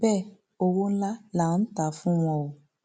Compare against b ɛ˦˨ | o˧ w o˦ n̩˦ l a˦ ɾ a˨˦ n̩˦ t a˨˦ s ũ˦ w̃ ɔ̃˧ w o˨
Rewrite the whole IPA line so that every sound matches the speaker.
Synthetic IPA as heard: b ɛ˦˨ | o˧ w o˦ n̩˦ l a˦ l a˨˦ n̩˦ t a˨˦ f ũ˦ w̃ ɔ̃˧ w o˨